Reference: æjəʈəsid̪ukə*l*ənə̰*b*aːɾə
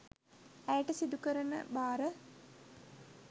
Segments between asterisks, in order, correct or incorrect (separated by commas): incorrect, correct